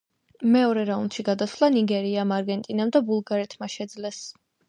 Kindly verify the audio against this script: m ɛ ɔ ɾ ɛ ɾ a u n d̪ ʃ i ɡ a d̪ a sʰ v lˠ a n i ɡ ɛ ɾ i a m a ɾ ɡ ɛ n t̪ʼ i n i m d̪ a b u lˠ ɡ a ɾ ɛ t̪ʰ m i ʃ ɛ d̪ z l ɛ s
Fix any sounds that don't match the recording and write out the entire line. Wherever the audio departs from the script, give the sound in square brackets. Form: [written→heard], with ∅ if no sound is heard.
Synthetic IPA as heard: m ɛ ɔ ɾ ɛ ɾ a u n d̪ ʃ i ɡ a d̪ a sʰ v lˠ a n i ɡ ɛ ɾ i a m a ɾ ɡ ɛ n t̪ʼ i n [i→a] m d̪ a b u lˠ ɡ a ɾ ɛ t̪ʰ m [i→a] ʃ ɛ d̪ z l ɛ s